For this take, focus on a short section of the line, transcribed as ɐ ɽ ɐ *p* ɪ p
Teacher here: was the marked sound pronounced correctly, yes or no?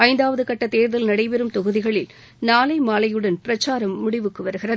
no